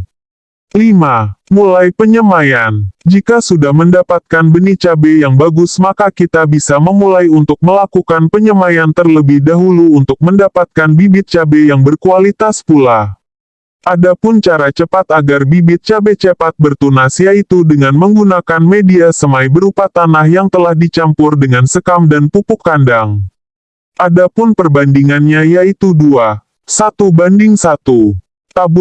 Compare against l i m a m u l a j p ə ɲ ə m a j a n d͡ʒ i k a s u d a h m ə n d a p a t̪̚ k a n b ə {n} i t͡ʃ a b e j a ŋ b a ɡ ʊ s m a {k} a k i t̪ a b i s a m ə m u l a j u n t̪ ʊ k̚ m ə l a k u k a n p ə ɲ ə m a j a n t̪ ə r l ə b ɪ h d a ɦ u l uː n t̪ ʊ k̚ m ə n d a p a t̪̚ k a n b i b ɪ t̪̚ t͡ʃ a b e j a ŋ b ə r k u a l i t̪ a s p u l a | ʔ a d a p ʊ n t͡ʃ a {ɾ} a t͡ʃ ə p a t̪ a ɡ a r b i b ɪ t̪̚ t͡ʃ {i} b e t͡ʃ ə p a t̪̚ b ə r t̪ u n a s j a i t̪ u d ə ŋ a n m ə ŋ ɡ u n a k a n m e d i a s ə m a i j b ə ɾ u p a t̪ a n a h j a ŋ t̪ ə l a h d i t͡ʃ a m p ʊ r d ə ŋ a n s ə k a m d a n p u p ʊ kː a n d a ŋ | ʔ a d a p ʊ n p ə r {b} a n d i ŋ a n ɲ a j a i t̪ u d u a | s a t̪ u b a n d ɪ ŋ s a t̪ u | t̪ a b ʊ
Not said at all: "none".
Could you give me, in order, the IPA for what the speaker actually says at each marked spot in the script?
n, k, ɾ, a, b

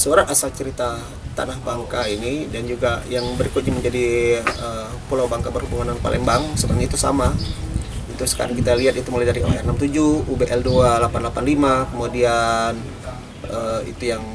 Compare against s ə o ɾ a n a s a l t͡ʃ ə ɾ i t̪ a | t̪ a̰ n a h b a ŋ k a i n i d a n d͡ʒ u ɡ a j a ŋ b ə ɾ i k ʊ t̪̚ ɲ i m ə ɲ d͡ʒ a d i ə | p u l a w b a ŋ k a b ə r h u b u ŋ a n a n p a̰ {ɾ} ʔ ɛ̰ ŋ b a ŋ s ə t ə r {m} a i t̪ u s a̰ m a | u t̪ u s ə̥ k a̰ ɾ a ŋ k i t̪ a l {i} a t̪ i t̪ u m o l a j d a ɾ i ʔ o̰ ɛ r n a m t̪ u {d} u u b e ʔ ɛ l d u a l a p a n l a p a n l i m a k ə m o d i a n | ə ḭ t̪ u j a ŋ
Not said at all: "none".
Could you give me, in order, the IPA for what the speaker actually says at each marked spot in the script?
l, ɲ, i, d͡ʒ

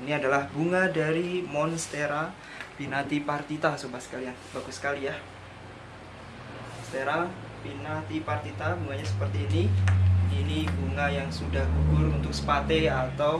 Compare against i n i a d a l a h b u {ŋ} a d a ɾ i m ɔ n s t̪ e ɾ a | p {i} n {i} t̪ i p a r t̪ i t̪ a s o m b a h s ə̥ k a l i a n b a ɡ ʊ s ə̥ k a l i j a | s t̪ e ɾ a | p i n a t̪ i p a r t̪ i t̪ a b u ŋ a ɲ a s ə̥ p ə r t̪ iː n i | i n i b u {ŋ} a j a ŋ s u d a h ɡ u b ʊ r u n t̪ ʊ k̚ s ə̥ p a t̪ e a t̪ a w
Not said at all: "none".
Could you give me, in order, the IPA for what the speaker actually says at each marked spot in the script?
ŋ, i, a, ŋ

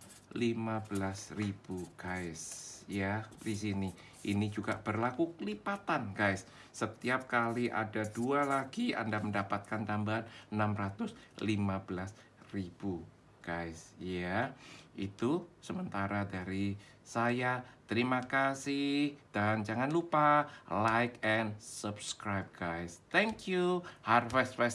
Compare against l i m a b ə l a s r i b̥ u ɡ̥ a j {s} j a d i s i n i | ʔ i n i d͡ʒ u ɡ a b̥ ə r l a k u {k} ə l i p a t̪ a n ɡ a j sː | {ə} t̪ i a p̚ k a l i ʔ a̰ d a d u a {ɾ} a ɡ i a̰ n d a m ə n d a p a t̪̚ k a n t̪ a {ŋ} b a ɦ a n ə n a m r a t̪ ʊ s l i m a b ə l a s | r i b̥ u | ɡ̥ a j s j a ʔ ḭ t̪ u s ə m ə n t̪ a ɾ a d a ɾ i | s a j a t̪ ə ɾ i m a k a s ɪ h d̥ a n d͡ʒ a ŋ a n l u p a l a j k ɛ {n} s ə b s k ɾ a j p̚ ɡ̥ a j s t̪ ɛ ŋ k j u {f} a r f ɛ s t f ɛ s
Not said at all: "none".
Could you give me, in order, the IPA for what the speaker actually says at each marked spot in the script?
s, k, ə, l, m, n, h

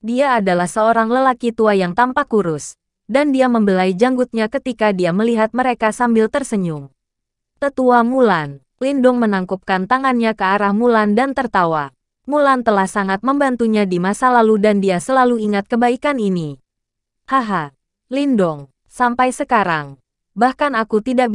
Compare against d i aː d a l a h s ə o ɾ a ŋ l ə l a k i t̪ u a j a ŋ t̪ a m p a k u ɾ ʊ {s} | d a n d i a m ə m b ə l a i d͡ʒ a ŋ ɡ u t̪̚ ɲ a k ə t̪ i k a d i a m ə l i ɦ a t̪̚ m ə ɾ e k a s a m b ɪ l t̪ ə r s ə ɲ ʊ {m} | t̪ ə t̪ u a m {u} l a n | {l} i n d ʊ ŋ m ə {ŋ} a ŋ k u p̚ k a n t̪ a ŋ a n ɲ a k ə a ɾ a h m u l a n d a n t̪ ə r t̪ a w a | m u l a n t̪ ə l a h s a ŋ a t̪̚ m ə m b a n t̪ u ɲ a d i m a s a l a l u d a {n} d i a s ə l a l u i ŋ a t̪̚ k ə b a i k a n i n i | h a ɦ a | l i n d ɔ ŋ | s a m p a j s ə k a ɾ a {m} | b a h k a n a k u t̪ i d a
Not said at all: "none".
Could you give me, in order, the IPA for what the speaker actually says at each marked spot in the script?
s, ŋ, u, l, n, n, ŋ

